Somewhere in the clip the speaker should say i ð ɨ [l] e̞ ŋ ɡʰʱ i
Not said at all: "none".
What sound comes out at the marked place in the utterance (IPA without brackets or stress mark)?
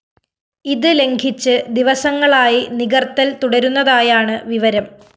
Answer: l